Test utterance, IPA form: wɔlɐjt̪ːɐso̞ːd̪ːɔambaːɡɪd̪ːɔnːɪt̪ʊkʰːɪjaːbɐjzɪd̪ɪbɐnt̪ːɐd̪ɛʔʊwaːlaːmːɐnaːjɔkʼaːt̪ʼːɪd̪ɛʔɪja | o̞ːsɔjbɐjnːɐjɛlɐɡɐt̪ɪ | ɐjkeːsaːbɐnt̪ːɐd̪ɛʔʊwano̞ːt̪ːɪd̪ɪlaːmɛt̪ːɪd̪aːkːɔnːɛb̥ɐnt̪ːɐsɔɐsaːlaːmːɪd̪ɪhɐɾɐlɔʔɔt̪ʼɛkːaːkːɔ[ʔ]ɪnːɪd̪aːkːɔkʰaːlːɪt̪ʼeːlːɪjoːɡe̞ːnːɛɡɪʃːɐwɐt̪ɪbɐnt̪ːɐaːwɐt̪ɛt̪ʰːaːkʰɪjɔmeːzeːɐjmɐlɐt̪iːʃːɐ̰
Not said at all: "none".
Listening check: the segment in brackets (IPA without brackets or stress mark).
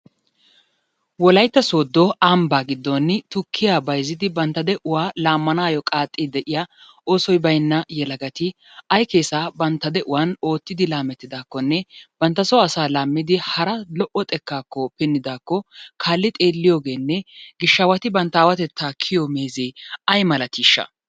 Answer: p